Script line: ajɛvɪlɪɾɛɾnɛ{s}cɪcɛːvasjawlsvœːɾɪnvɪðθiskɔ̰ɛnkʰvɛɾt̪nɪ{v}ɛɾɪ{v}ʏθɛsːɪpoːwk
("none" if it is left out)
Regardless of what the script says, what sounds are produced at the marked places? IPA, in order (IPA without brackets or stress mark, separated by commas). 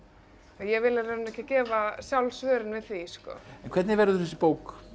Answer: h, v, ð